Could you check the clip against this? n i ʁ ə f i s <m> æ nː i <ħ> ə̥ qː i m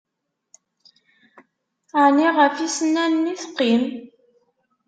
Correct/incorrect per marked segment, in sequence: incorrect, incorrect

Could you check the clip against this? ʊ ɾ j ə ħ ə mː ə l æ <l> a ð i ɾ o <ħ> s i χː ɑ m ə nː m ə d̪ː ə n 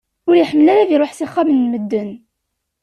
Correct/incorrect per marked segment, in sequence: incorrect, correct

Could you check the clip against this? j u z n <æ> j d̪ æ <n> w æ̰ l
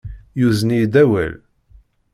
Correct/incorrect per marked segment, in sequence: incorrect, incorrect

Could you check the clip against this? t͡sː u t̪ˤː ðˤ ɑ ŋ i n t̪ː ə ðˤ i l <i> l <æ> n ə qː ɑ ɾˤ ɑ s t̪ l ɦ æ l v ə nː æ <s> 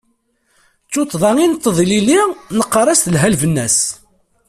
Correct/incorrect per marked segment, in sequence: correct, incorrect, correct

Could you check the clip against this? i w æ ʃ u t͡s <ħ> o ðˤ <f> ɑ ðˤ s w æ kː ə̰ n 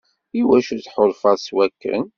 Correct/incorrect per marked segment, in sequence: correct, correct

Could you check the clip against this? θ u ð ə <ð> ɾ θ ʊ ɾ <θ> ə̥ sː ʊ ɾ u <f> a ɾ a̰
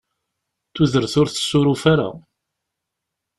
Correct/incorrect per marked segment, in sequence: incorrect, correct, correct

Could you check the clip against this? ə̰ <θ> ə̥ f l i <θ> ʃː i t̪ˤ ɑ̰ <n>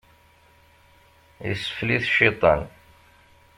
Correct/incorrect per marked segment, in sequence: incorrect, correct, correct

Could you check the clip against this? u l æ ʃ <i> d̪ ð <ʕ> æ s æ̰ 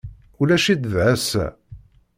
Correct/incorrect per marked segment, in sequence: correct, correct

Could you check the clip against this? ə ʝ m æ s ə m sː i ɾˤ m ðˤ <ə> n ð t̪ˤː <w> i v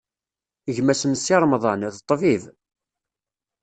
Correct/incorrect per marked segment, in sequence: incorrect, incorrect

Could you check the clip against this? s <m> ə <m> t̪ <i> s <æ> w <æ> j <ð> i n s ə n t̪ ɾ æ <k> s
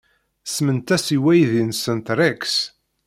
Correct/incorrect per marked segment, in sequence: correct, incorrect, incorrect, incorrect, correct, correct, correct

